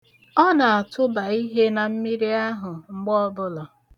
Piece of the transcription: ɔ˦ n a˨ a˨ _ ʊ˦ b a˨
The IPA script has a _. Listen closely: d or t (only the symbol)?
t